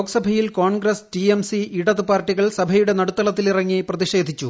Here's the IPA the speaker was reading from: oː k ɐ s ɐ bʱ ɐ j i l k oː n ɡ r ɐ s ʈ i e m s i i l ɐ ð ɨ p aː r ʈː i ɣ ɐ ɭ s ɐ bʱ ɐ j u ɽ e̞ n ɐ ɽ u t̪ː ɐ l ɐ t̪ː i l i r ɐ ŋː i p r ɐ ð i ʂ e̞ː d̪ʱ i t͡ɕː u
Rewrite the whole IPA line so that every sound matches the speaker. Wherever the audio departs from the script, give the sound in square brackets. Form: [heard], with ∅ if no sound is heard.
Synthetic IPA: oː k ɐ s ɐ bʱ ɐ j i l k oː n ɡ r ɐ s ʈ i e m s i i [ɽ] ɐ ð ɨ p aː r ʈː i ɣ ɐ ɭ s ɐ bʱ ɐ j u ɽ e̞ n ɐ ɽ u t̪ː ɐ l ɐ t̪ː i l i r ɐ ŋː i p r ɐ ð i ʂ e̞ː d̪ʱ i t͡ɕː u